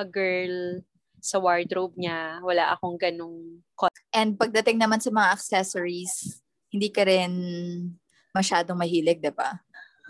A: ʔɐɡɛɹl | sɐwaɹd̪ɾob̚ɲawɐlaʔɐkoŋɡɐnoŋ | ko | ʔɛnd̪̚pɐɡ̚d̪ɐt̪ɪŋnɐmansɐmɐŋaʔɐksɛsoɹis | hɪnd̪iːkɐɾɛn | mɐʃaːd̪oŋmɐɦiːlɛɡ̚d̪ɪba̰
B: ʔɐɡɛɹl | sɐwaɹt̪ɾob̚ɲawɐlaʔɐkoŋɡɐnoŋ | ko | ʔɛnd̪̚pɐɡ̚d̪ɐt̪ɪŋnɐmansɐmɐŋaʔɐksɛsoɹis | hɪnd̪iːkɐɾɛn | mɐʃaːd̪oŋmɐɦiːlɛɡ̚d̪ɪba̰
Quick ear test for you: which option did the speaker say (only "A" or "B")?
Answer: A